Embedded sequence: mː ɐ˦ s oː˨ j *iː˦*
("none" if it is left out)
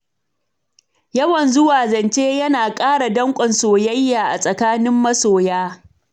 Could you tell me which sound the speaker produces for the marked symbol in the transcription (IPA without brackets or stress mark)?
aː˦